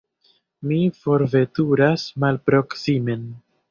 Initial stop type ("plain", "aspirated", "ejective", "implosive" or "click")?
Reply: plain